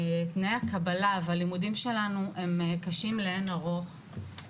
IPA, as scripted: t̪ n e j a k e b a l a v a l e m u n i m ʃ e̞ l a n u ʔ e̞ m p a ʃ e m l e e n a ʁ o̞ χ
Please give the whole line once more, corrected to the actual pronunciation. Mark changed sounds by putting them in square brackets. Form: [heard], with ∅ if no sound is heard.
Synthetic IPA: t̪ n e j a k [a] b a l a v a l [i] m u [d] i m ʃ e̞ l a n u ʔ e̞ m [k] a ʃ [i] m l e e n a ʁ o̞ χ